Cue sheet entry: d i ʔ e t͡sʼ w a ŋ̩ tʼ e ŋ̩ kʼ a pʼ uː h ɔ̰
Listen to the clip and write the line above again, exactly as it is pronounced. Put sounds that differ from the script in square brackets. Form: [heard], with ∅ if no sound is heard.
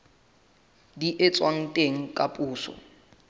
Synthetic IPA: d i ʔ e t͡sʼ w a ŋ̩ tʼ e ŋ̩ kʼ a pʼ uː [s] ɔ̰